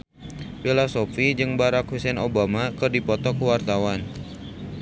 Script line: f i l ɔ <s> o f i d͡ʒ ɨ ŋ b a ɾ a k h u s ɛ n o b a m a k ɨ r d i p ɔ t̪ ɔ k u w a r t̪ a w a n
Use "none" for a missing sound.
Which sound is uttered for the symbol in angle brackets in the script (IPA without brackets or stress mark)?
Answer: s